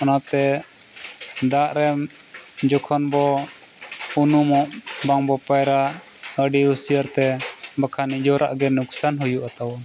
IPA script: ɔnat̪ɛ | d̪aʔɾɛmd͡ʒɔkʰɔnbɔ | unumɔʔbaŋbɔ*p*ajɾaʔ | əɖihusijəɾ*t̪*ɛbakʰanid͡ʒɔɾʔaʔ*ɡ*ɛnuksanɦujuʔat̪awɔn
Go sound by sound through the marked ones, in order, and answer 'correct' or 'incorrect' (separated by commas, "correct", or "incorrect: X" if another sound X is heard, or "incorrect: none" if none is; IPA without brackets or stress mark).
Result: correct, correct, correct